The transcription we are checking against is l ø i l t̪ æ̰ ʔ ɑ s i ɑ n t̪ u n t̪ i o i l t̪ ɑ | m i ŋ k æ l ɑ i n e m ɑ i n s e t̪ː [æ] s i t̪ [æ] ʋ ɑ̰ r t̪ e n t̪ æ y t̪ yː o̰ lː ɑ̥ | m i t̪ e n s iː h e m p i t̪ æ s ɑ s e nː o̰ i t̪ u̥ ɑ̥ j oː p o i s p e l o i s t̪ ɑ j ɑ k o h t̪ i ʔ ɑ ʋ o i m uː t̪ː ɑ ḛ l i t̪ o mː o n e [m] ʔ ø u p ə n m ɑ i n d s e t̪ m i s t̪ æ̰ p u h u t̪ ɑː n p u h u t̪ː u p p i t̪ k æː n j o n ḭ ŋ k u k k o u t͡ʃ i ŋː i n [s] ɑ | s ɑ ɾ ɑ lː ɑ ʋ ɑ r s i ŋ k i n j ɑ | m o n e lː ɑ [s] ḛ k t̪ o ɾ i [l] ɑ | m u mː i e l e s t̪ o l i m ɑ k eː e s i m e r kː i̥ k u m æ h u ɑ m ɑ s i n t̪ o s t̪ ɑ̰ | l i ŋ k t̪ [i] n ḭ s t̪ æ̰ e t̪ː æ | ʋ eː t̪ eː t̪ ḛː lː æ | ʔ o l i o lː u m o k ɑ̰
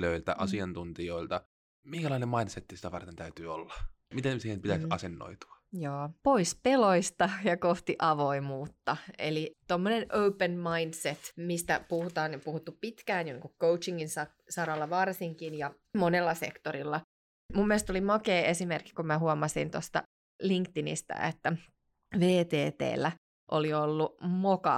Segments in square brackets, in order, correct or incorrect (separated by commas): incorrect, correct, incorrect, correct, correct, incorrect, correct